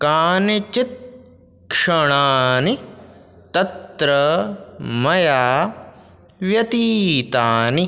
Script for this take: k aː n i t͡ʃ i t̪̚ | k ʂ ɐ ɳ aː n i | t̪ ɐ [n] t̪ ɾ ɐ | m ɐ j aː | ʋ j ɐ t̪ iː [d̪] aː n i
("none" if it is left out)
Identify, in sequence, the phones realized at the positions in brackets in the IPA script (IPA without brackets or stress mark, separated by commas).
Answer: none, t̪